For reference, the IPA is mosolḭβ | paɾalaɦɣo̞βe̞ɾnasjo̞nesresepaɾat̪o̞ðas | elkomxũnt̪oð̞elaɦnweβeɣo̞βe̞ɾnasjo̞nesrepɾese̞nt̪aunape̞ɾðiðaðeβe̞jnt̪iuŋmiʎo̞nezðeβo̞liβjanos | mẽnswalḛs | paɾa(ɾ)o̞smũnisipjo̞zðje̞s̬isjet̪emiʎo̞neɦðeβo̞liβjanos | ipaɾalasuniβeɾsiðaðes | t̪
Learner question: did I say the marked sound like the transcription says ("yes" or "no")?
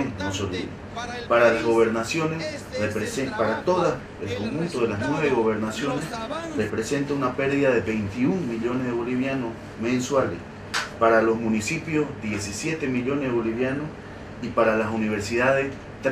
no